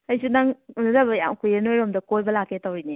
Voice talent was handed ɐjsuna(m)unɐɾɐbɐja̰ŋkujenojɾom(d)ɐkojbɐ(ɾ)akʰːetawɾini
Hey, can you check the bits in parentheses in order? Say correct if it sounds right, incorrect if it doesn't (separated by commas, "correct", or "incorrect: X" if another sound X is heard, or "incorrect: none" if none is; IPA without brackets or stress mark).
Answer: incorrect: ŋ, correct, incorrect: l